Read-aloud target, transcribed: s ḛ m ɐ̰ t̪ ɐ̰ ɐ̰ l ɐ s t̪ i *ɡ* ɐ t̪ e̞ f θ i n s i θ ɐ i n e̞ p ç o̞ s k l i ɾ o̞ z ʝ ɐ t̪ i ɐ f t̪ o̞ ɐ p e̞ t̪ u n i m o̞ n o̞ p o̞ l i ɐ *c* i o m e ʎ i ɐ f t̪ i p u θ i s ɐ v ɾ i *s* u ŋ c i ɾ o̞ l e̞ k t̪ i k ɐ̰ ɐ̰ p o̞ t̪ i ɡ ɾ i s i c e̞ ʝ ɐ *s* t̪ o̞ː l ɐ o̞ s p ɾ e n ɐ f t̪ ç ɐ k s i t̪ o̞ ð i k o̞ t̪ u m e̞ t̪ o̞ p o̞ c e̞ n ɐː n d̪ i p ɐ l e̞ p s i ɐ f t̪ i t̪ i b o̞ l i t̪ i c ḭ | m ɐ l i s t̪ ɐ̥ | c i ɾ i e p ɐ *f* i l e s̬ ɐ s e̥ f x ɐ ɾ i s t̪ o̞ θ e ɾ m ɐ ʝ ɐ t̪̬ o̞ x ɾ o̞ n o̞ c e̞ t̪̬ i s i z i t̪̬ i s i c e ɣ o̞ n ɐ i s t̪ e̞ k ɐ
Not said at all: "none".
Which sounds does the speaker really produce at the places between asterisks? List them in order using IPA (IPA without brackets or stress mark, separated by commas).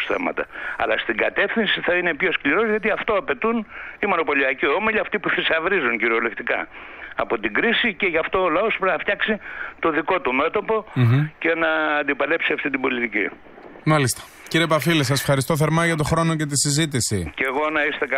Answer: ɡ, c, z, f, f